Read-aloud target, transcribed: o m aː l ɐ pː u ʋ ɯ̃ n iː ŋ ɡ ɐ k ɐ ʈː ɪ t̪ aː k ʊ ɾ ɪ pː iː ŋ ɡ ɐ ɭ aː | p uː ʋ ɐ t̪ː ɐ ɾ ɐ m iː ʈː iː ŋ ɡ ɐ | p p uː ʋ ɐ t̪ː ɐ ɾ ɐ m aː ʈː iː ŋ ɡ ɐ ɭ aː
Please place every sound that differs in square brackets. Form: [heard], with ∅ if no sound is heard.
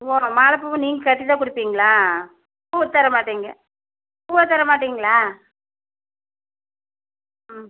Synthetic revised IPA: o m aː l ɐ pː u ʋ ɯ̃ n iː ŋ ɡ ɐ k ɐ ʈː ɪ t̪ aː k ʊ [ɽ] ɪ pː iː ŋ ɡ ɐ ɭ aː | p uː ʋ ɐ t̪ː ɐ ɾ ɐ m [aː] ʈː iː ŋ ɡ ɐ | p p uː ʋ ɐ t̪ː ɐ ɾ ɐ m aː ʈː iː ŋ ɡ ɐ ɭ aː